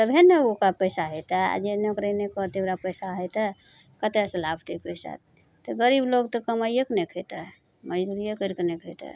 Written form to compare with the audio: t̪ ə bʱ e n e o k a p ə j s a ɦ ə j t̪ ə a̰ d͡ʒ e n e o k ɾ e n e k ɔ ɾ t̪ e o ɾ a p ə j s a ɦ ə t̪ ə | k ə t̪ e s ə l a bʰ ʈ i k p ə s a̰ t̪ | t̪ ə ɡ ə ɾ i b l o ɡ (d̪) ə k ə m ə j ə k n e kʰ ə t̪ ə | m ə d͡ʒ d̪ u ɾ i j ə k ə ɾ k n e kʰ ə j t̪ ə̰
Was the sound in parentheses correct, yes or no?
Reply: no